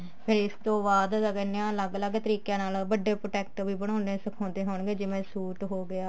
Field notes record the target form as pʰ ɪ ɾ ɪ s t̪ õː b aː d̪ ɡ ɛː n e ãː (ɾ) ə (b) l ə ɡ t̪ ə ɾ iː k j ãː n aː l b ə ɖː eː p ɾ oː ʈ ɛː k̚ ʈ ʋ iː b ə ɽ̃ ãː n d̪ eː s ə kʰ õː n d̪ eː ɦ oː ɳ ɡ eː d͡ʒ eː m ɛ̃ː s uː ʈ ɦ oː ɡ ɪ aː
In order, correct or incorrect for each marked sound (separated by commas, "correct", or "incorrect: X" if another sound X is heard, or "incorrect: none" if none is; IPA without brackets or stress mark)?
incorrect: l, incorrect: ɡ